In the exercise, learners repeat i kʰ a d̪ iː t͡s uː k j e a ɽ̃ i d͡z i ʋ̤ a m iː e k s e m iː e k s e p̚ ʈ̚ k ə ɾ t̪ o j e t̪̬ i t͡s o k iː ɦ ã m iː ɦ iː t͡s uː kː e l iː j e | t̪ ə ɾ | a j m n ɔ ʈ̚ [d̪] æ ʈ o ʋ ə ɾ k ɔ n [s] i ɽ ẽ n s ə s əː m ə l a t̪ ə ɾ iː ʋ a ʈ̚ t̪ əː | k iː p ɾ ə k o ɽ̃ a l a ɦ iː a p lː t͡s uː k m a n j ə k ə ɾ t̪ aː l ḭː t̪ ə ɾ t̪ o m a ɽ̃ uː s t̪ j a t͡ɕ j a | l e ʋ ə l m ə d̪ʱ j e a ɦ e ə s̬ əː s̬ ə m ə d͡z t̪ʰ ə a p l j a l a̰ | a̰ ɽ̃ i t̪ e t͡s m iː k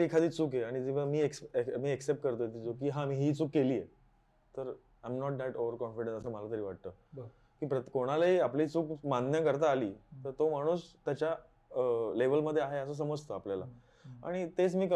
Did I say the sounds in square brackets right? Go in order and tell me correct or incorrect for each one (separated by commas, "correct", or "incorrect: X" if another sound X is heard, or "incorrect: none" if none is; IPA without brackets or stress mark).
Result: correct, incorrect: f